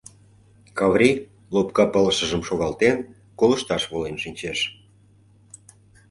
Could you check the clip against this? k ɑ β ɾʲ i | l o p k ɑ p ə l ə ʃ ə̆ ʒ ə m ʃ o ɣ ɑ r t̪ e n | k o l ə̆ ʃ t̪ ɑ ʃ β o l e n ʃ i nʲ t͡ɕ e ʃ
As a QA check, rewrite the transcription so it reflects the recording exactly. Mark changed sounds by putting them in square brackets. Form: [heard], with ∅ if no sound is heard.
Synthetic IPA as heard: k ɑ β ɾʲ i | l o p k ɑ p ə l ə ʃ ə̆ ʒ ə m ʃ o ɣ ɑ [l] t̪ e n | k o l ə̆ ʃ t̪ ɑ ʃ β o l e n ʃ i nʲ t͡ɕ e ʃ